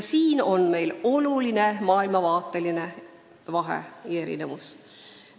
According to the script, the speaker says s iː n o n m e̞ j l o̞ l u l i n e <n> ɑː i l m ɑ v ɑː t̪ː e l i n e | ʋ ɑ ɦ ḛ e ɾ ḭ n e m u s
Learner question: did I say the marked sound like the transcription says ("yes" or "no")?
no